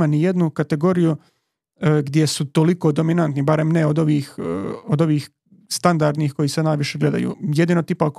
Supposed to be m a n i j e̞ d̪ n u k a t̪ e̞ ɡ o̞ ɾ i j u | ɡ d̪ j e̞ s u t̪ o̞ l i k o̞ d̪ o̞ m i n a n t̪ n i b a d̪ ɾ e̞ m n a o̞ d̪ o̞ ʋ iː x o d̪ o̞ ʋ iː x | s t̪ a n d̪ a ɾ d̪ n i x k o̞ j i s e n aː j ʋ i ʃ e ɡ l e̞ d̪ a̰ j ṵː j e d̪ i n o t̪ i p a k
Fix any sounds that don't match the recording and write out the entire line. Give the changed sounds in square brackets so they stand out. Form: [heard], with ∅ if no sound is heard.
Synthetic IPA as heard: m a n i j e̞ d̪ n u k a t̪ e̞ ɡ o̞ ɾ i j u | ɡ d̪ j e̞ s u t̪ o̞ l i k o̞ d̪ o̞ m i n a n t̪ n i b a [∅] ɾ e̞ m n [e] o̞ d̪ o̞ ʋ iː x o d̪ o̞ ʋ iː x | s t̪ a n d̪ a ɾ d̪ n i x k o̞ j i s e n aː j ʋ i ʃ e ɡ l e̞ d̪ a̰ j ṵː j e d̪ i n o t̪ i p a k